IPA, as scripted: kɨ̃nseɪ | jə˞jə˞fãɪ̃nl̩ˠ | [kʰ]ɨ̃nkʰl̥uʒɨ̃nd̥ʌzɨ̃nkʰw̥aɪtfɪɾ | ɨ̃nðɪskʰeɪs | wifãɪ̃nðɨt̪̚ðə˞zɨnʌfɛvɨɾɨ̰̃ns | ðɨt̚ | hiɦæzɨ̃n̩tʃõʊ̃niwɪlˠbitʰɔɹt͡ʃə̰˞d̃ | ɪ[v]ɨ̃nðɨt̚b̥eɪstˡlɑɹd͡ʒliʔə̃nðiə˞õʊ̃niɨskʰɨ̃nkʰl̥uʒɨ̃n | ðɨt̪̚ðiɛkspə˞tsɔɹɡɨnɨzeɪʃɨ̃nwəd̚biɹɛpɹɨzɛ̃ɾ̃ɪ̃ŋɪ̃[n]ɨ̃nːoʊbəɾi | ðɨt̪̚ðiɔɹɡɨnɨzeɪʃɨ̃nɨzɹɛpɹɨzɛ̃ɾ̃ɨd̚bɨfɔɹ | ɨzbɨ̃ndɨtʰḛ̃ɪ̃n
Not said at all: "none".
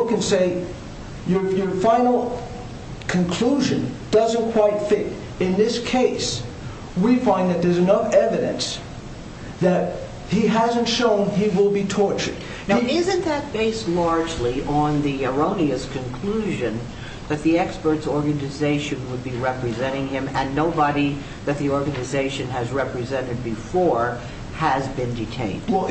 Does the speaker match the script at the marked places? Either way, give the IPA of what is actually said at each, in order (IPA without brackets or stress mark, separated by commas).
kʰ, z, m